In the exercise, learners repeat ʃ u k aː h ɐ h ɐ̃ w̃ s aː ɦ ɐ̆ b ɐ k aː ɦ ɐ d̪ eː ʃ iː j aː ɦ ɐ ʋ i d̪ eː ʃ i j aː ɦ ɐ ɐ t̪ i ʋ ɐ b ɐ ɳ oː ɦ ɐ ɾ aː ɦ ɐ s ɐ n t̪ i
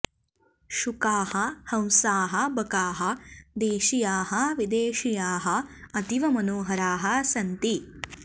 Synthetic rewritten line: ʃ u k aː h ɐ h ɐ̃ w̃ s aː ɦ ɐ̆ b ɐ k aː ɦ ɐ d̪ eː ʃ i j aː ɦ ɐ ʋ i d̪ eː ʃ i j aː ɦ ɐ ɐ t̪ i ʋ ɐ m ɐ n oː ɦ ɐ ɾ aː ɦ ɐ s ɐ n t̪ i